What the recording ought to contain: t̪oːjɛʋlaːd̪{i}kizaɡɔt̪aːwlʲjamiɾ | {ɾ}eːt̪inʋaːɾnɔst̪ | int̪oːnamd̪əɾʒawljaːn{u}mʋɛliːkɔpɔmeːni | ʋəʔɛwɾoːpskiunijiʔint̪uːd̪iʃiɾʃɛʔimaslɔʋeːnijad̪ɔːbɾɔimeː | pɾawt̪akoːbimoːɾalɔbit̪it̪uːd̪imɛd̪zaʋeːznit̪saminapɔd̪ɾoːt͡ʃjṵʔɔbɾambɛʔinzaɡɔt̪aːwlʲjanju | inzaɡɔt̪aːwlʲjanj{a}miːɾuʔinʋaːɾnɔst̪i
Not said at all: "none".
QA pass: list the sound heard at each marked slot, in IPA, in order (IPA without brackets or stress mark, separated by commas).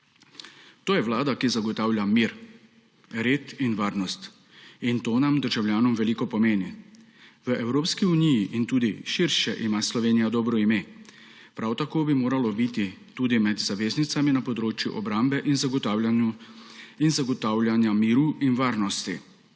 a, ɾ, ɔ, a